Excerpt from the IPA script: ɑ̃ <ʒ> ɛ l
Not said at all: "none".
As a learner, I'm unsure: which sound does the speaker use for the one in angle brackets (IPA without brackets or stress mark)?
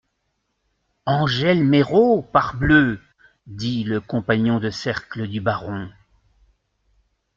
ʒ